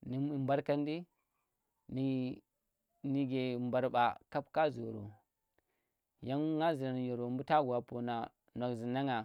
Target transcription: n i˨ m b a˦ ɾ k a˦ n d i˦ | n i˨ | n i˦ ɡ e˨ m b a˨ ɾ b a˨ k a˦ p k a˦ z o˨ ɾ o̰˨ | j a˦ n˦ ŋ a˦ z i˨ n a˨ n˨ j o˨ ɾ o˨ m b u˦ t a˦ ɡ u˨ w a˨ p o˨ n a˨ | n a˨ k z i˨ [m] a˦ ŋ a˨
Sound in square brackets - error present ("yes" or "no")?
yes